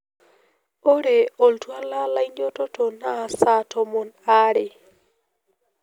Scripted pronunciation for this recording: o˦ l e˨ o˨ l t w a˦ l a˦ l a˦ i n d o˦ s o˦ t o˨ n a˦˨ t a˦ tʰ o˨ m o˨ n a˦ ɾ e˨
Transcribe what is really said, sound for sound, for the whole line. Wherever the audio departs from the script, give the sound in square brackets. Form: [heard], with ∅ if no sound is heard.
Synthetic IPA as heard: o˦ [ɾ] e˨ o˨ l t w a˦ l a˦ l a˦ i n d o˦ [t] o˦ t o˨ n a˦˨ [s] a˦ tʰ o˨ m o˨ n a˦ ɾ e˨